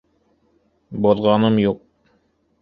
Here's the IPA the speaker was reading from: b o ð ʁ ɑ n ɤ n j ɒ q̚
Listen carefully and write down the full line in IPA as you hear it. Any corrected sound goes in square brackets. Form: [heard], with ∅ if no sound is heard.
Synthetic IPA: b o ð ʁ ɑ n ɤ [m] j [u] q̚